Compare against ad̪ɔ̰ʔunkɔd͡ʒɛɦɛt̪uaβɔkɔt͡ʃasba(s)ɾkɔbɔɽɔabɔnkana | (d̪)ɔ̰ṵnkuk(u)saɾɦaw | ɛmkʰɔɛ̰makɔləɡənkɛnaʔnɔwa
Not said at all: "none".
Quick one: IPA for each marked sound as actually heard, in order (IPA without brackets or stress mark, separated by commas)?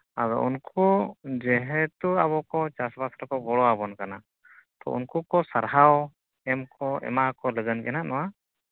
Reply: s, t̪, ɔ